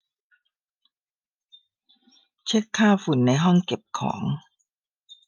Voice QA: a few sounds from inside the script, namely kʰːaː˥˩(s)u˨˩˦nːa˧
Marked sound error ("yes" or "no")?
yes